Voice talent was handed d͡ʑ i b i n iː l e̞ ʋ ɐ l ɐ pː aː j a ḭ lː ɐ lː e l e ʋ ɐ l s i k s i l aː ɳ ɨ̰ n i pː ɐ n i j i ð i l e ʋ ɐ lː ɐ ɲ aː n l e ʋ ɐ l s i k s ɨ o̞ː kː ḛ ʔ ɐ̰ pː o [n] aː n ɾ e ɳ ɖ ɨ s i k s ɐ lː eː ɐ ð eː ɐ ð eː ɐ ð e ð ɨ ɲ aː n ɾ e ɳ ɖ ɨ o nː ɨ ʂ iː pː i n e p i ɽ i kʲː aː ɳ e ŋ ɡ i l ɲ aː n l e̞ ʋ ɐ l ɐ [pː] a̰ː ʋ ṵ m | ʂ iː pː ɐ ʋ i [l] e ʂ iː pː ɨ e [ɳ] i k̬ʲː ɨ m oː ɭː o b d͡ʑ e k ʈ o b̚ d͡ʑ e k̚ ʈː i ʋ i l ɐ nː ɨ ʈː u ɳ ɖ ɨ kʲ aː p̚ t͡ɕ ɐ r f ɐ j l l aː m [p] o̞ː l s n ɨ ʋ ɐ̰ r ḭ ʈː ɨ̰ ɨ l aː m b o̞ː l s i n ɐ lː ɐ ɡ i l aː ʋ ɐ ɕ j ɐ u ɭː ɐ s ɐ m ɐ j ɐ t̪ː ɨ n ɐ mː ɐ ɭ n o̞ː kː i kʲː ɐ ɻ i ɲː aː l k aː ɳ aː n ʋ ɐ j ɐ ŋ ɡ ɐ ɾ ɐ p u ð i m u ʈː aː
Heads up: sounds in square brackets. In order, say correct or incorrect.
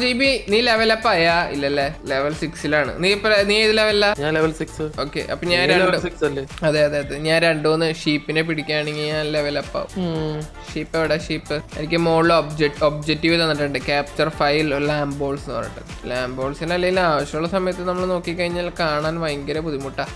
incorrect: ɲ, correct, incorrect: ɽ, incorrect: n, incorrect: b

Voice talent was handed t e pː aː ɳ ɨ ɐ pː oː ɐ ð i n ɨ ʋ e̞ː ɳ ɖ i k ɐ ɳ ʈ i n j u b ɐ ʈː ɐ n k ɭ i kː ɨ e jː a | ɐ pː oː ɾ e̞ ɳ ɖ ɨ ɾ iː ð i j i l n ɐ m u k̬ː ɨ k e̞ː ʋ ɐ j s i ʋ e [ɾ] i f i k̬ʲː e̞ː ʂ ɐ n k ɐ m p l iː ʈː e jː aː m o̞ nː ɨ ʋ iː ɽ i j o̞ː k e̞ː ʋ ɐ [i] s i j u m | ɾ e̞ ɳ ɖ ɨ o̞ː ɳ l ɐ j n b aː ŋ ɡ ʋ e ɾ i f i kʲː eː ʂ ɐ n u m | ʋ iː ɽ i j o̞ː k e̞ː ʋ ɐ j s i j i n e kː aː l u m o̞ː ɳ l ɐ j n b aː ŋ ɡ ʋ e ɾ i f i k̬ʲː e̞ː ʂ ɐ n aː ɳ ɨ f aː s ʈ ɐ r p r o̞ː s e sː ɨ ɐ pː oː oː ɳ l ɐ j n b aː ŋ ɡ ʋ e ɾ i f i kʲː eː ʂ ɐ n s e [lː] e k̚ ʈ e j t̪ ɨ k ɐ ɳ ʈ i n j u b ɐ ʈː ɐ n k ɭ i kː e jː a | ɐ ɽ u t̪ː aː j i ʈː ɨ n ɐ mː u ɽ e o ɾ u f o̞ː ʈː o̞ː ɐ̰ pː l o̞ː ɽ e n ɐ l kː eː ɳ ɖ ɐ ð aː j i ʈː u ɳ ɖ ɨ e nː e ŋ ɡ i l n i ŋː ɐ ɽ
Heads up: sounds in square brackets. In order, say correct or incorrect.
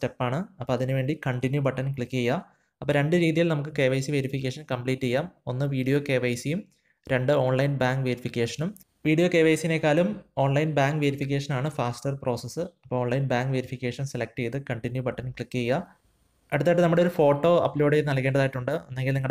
correct, incorrect: j, incorrect: l

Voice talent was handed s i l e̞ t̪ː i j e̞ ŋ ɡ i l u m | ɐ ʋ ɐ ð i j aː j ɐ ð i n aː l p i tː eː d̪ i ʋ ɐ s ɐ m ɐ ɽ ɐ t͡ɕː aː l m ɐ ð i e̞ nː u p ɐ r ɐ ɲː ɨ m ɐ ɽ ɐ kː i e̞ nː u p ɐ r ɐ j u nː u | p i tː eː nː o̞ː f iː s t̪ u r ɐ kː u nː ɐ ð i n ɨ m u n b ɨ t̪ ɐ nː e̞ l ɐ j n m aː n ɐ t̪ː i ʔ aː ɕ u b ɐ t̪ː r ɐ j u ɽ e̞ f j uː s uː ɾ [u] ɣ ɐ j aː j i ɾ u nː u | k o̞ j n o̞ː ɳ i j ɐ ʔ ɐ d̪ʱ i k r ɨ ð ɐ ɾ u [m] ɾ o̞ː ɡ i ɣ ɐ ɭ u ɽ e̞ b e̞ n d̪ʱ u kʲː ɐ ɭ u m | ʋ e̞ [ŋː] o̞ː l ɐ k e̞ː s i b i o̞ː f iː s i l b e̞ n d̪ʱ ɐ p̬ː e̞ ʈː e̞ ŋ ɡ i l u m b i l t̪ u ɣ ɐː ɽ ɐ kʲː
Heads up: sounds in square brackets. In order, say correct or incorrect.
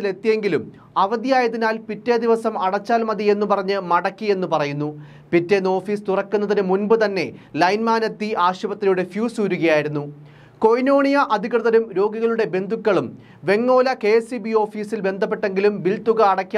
correct, correct, correct

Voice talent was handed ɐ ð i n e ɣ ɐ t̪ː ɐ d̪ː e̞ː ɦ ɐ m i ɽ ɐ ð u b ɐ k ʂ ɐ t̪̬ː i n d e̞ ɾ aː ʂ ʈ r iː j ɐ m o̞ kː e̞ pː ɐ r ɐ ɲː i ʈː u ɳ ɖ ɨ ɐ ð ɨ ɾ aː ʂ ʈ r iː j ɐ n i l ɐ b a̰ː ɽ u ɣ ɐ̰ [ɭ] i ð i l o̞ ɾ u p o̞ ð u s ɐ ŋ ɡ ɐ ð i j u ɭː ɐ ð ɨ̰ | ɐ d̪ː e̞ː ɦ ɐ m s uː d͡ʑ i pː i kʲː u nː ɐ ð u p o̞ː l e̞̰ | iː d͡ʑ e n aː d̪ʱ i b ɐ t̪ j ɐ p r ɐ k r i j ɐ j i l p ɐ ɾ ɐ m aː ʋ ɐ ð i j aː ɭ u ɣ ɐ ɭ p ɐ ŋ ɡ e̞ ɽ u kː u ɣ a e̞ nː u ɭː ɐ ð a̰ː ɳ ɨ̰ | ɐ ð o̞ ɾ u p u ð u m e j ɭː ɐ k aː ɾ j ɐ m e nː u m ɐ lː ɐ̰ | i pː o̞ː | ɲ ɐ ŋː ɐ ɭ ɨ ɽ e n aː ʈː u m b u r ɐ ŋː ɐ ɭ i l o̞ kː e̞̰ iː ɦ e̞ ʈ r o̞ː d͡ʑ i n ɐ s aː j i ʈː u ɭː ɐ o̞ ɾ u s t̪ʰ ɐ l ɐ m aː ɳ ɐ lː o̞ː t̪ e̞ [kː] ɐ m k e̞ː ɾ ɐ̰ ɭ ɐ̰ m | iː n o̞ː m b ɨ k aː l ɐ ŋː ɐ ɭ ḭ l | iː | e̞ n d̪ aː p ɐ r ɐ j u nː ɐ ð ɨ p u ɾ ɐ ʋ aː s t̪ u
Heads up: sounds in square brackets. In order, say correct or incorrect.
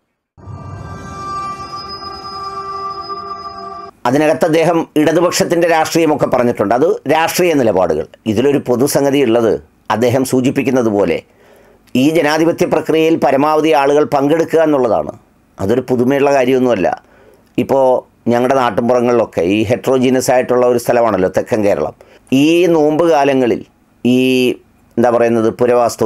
correct, correct

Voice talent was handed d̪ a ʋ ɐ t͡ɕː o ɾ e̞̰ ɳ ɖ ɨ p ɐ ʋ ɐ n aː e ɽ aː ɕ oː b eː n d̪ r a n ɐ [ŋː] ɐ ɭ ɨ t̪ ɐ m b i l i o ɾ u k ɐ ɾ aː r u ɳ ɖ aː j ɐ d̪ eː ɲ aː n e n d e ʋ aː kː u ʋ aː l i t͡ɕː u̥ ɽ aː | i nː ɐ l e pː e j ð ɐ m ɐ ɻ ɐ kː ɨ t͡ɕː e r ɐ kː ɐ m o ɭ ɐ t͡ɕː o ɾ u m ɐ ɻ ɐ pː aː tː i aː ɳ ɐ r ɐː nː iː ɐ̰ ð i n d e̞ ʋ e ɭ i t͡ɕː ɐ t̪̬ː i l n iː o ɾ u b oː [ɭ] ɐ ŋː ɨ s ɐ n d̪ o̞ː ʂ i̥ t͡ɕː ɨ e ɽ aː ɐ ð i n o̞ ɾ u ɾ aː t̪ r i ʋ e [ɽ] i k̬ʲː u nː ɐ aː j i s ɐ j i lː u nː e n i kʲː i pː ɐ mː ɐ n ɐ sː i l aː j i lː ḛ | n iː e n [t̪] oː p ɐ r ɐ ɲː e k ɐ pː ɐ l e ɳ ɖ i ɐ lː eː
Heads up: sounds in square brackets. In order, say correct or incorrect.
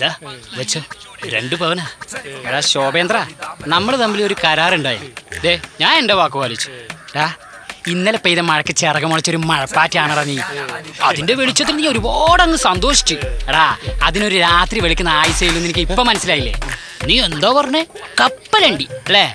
incorrect: mː, incorrect: ɽ, incorrect: ɭ, incorrect: d̪

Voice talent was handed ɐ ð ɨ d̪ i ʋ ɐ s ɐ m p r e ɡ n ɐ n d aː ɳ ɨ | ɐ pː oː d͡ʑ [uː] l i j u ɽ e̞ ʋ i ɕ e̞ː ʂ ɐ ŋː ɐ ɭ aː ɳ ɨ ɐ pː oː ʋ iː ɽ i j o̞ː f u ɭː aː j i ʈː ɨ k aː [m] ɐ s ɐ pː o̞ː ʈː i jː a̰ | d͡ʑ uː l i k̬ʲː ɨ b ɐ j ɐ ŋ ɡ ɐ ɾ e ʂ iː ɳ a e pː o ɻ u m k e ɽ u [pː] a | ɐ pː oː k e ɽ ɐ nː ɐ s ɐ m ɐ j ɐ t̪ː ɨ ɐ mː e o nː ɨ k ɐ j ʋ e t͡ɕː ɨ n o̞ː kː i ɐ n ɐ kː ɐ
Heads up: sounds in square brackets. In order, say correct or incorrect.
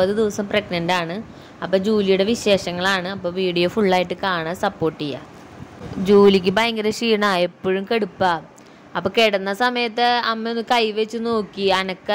correct, incorrect: ɳ, correct

